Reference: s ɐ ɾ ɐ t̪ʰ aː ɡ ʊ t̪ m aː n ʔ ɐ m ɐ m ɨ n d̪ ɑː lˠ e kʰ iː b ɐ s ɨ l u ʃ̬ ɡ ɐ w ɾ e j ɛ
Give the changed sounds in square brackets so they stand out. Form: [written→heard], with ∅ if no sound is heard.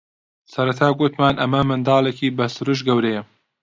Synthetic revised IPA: s ɐ ɾ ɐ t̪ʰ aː ɡ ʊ t̪ m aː n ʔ ɐ m ɐ m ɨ n d̪ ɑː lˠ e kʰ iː b ɐ s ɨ [l→ɾ] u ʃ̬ ɡ ɐ w ɾ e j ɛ